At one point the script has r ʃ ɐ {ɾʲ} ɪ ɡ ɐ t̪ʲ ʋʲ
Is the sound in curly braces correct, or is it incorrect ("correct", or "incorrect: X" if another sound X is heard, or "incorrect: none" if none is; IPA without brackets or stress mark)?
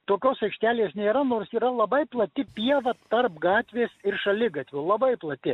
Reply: incorrect: lʲ